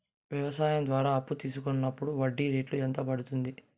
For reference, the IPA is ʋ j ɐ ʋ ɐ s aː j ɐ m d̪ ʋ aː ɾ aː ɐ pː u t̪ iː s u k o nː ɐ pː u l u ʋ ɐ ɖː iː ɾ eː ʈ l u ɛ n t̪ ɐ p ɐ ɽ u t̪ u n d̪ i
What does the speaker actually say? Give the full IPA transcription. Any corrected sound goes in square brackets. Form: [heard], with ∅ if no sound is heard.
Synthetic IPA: ʋ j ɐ ʋ ɐ s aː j ɐ m d̪ ʋ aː ɾ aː ɐ pː u t̪ iː s u k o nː ɐ pː u [ɽ] u ʋ ɐ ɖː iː ɾ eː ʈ l u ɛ n t̪ ɐ p ɐ ɽ u t̪ u n d̪ i